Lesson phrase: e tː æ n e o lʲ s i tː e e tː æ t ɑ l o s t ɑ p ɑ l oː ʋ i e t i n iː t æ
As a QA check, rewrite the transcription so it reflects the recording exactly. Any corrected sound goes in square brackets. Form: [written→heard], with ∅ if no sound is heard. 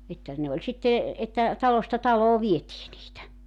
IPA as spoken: e tː æ n e o lʲ s i tː e e tː æ t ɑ l o s t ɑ [p→t] ɑ l oː ʋ i e t [i→iː] n iː t æ